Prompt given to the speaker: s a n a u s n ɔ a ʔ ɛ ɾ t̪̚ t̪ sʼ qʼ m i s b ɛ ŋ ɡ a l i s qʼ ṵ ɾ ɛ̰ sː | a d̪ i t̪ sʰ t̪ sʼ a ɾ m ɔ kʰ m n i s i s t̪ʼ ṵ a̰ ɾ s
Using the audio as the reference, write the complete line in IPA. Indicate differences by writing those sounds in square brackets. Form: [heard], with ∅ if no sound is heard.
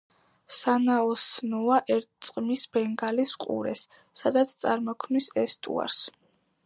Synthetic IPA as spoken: s a n a [ɔ] s n ɔ a ʔ ɛ ɾ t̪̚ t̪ sʼ qʼ m i s b ɛ ŋ ɡ a l i s qʼ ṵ ɾ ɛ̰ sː | a d̪ [a] t̪ sʰ t̪ sʼ a ɾ m ɔ kʰ m n i s [ɛ] s t̪ʼ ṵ a̰ ɾ s